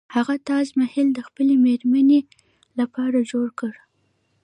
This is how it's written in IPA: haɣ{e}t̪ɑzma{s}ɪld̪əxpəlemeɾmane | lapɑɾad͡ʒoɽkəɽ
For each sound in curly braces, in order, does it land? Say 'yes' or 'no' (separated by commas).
no, no